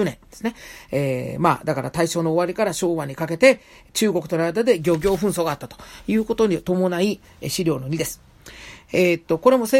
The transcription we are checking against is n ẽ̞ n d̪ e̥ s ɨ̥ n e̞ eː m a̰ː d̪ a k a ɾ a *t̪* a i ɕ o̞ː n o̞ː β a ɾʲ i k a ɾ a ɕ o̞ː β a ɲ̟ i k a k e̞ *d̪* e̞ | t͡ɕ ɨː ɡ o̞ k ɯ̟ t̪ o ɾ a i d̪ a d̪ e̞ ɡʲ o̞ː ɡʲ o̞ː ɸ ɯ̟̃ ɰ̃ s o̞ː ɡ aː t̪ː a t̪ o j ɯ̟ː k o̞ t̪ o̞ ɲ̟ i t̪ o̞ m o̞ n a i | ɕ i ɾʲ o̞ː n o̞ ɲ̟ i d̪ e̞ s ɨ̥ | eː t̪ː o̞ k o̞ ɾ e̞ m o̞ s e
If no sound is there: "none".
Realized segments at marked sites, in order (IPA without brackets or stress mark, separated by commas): t̪, t̪